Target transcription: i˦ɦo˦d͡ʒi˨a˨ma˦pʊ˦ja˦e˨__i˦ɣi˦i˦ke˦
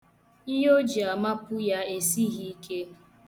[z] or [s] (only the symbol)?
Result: s